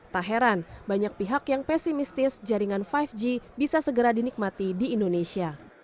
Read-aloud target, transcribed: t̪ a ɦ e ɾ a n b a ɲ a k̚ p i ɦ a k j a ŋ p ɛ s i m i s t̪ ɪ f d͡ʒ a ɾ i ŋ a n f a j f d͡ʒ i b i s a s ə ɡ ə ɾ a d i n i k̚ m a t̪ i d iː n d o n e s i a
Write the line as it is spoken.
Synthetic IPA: t̪ a ɦ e ɾ a n b a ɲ a k̚ p i ɦ a k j a ŋ p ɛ s i m i s t̪ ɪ s d͡ʒ a ɾ i ŋ a n f a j f d͡ʒ i b i s a s ə ɡ ə ɾ a d i n i k̚ m a t̪ i d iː n d o n e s i a